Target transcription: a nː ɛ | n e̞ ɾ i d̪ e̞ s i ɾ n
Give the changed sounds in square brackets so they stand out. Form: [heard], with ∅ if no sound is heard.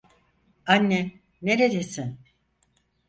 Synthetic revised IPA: a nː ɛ | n e̞ ɾ [e] d̪ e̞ s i [∅] n